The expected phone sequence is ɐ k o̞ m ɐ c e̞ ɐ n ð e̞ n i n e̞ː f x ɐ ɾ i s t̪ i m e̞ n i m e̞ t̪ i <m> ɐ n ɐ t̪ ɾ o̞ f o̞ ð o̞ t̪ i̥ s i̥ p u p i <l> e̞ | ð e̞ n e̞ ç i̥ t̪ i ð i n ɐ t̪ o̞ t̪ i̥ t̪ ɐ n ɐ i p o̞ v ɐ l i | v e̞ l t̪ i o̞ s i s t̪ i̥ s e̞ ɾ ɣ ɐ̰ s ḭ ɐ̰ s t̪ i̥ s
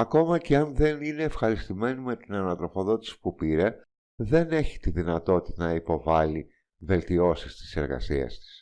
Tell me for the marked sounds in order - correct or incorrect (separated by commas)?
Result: incorrect, incorrect